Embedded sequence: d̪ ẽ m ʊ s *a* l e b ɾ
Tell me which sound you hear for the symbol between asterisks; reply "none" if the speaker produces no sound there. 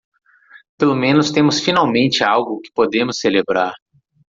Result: e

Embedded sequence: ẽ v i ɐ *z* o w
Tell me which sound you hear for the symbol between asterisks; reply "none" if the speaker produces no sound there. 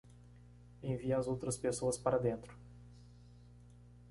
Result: z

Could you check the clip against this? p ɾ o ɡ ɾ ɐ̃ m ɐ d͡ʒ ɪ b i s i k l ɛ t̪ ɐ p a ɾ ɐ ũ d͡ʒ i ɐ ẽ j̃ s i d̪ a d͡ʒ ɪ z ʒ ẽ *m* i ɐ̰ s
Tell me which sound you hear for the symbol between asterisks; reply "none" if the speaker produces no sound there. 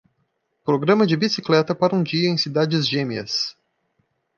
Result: m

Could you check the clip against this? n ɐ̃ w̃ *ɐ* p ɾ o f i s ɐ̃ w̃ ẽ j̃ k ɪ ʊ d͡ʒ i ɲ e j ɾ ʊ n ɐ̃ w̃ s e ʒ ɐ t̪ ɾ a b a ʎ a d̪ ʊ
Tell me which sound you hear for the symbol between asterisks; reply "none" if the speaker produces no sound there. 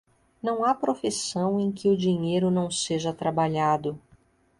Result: a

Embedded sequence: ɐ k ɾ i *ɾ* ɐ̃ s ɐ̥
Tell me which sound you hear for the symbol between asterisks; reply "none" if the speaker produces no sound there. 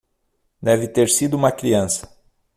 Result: none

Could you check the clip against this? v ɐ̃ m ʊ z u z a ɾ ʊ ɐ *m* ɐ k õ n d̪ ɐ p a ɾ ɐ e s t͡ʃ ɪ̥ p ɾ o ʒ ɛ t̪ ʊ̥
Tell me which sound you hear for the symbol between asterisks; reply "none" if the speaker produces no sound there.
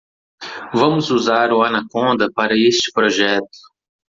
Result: n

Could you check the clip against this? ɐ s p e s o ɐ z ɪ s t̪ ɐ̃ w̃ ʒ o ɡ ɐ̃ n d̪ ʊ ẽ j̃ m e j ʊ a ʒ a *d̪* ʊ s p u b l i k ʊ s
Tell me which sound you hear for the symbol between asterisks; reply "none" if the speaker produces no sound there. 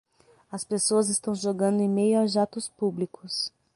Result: t̪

